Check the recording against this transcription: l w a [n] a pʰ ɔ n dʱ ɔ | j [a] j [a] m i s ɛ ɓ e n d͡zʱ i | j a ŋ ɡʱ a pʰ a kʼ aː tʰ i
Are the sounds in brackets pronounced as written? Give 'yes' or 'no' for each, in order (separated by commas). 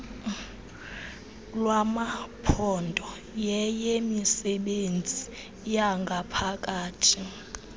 no, no, no